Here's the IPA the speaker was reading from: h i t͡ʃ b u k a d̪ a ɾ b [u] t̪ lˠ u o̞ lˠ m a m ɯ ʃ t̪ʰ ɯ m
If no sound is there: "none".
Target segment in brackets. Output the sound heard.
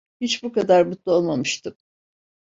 u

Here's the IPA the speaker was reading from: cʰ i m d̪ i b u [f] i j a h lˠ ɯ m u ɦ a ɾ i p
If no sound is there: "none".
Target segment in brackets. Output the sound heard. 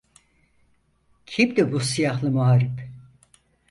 s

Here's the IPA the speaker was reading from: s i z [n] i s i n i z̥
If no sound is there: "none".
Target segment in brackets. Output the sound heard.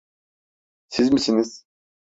m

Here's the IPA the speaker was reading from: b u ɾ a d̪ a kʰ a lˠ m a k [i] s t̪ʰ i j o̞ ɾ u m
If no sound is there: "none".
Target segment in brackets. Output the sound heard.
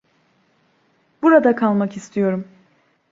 i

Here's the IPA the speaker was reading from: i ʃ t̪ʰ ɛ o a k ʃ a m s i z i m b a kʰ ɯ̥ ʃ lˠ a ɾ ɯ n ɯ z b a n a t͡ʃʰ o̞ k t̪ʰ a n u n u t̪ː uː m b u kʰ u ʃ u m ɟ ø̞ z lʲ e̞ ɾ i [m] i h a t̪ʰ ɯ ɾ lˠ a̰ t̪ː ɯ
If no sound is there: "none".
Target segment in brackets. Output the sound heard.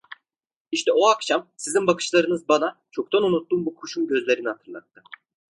n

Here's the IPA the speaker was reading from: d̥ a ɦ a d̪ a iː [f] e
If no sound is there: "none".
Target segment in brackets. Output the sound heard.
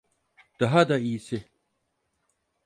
s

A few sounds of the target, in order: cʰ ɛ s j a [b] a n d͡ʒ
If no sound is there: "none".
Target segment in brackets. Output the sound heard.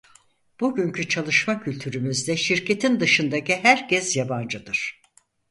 b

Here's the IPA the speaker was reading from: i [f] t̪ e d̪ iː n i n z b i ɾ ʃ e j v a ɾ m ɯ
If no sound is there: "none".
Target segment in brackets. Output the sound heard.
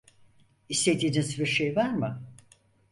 s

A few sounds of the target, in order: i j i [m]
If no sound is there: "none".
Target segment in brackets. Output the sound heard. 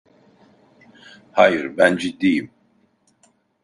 m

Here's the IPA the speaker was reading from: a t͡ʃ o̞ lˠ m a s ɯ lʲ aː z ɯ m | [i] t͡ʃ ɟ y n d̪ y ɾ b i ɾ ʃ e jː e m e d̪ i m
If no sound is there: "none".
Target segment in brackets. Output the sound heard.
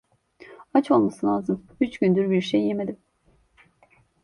y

